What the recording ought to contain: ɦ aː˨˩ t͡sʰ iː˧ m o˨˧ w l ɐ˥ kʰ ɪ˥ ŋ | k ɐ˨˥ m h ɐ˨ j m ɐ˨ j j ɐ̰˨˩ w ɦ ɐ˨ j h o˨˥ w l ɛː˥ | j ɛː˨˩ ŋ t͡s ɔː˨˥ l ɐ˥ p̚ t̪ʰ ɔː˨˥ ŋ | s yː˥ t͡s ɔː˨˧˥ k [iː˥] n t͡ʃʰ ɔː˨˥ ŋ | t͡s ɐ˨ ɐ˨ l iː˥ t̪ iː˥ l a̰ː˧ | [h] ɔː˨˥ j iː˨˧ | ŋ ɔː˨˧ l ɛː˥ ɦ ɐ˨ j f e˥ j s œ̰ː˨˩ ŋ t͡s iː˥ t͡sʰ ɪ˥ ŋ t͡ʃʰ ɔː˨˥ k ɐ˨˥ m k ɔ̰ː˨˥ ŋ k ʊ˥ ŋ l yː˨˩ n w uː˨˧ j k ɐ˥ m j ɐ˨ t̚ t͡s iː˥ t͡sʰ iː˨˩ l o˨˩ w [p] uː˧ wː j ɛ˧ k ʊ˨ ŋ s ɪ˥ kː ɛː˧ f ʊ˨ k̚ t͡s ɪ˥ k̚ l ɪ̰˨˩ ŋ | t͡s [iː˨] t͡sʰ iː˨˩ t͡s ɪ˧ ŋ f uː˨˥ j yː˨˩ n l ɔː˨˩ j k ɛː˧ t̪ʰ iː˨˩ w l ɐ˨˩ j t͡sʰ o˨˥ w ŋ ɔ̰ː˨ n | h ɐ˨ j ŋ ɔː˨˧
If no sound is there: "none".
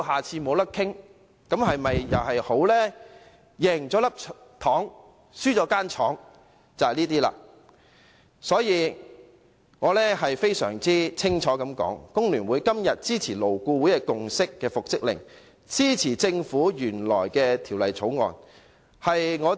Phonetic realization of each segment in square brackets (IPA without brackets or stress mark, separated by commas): aː˥, s, k, iː˥